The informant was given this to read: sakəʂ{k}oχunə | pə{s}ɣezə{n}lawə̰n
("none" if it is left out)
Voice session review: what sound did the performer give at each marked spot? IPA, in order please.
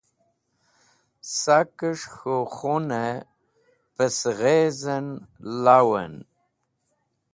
x, s, n

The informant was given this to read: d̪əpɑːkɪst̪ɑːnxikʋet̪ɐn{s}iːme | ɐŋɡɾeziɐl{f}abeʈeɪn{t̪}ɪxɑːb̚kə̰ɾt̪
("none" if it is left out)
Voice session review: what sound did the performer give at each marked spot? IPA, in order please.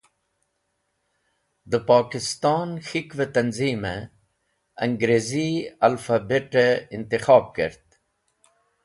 z, f, t̪

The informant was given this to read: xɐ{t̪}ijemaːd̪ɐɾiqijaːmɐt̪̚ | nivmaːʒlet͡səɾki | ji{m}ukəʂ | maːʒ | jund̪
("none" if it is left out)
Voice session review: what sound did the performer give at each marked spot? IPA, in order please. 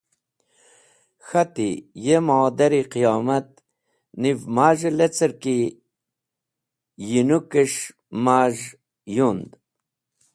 t̪, n

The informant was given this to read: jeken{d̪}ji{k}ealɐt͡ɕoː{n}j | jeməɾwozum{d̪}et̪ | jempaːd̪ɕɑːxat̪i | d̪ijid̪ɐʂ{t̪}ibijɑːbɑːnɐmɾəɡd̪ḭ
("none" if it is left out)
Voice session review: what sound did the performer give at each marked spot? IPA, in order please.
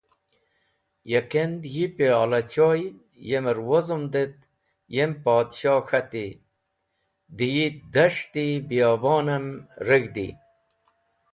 d̪, p, none, d̪, t̪

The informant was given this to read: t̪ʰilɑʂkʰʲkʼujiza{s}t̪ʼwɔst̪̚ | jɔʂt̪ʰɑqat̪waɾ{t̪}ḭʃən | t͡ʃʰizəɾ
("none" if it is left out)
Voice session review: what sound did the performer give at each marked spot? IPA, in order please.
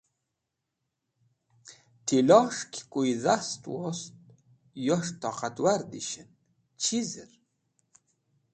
s, d̪

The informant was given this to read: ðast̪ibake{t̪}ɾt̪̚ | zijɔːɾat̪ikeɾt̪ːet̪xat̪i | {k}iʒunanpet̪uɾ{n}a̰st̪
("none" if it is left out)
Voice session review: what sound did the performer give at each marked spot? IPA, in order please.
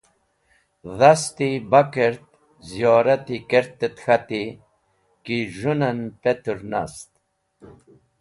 none, k, n

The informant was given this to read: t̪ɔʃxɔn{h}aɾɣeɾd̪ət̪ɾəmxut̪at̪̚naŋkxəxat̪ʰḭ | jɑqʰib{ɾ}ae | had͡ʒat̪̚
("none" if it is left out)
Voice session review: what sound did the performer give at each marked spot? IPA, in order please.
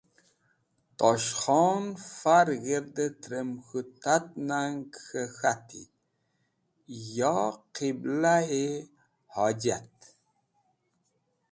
f, l

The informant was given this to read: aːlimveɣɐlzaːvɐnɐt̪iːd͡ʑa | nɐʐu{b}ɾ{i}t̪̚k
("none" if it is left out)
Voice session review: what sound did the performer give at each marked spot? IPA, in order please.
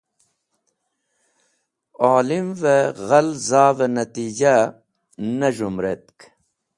m, e

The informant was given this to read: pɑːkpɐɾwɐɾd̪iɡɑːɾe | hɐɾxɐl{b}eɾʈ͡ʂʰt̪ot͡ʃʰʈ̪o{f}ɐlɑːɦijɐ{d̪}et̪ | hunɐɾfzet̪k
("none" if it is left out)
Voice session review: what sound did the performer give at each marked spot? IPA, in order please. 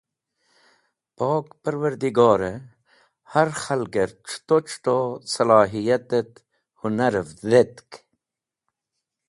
ɡ, s, t̪

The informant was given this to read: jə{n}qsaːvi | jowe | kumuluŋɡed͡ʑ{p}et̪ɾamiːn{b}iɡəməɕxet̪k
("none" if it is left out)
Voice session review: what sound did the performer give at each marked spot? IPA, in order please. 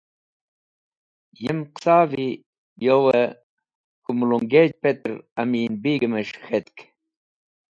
m, p, b

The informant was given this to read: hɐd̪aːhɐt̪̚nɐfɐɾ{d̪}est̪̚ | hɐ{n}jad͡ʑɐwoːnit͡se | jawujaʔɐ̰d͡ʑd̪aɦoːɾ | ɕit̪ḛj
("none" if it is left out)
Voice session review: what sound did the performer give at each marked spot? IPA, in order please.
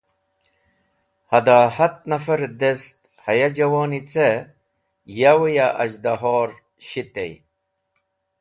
d̪, none

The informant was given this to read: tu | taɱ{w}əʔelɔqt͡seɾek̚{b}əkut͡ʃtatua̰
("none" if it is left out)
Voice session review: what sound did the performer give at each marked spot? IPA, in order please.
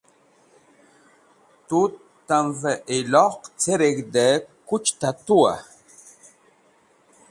v, d

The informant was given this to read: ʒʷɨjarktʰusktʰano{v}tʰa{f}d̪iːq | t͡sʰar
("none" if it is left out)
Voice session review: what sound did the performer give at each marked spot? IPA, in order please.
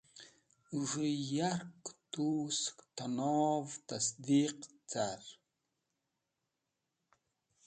v, s

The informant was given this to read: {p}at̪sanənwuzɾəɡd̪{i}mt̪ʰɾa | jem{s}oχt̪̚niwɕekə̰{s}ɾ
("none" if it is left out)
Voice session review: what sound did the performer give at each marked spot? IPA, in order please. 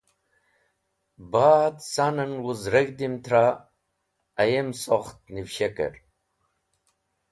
b, i, s, none

